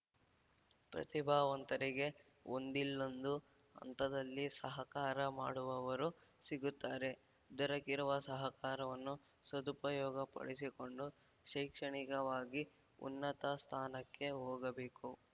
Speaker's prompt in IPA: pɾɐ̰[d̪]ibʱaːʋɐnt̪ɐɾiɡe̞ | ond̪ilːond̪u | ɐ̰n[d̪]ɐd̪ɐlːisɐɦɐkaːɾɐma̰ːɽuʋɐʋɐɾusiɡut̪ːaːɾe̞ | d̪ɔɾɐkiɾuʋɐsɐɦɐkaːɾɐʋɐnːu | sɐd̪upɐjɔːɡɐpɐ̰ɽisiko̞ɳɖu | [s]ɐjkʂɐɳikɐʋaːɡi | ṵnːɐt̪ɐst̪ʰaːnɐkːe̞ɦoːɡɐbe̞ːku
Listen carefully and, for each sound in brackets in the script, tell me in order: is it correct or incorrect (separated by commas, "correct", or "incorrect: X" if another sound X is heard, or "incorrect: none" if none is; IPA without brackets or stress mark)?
incorrect: t̪, incorrect: t̪, incorrect: ʃ